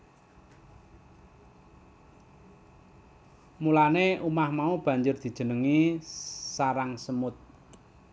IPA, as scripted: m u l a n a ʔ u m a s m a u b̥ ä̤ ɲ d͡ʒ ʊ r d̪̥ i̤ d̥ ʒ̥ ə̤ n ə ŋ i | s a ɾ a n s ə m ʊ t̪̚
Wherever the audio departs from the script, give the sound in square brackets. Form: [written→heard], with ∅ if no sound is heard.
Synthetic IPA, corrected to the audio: m u l a n [a→e] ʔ u m a [s→h] m a u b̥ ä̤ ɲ d͡ʒ ʊ r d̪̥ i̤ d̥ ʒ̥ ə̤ n ə ŋ i | s a ɾ a [n→ŋ] s ə m ʊ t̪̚